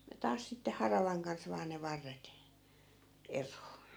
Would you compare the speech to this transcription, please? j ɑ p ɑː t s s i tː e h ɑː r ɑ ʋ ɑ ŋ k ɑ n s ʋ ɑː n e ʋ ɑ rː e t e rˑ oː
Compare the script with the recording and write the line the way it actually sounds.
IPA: j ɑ t ɑː s s i tː e h ɑ r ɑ ʋ ɑ ŋ k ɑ n s ʋ ɑː n e ʋ ɑ rː e t e rˑ oː